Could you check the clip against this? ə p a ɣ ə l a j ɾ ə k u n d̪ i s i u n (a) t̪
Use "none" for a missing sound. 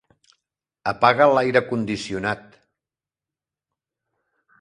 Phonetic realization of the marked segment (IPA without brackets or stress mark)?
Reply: a